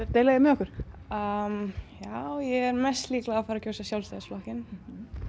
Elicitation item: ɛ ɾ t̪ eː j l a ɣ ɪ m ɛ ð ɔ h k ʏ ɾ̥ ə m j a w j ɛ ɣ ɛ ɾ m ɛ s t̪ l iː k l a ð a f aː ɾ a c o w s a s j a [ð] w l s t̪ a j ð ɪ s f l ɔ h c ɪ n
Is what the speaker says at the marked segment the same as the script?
no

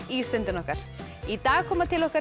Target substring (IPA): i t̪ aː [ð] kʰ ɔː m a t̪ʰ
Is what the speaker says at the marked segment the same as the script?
no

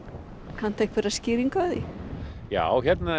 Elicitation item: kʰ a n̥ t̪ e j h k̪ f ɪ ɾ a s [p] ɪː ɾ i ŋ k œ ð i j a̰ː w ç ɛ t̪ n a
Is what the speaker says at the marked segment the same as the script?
no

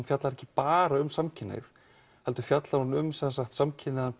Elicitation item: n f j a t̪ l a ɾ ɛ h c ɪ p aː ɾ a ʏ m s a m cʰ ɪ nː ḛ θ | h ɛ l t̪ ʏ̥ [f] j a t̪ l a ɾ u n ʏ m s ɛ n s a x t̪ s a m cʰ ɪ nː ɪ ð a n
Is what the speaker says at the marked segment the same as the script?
yes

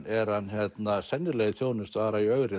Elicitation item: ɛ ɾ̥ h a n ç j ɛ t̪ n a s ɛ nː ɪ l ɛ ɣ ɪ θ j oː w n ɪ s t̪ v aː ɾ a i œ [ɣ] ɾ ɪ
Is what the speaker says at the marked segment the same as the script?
yes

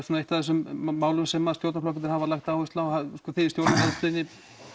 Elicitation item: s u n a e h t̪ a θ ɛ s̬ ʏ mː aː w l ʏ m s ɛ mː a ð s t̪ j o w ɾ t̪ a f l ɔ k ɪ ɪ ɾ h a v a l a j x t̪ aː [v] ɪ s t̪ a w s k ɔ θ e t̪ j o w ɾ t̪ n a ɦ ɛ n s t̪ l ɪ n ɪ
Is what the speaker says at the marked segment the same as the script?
no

